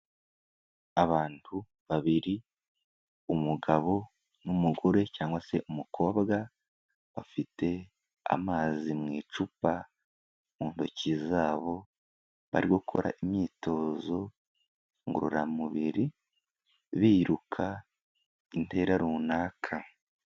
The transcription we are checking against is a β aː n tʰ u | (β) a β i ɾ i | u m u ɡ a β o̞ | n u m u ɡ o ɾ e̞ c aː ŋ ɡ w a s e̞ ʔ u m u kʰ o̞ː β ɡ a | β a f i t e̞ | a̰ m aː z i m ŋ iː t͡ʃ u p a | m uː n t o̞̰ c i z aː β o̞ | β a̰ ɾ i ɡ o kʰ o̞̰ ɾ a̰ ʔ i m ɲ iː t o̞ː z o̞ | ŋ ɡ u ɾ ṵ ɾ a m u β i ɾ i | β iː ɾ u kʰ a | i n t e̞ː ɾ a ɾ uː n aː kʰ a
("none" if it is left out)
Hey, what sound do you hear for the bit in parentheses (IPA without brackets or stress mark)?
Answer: β